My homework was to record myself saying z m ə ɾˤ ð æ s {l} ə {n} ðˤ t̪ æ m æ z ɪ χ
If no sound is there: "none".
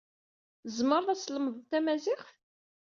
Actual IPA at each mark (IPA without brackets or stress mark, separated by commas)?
l, m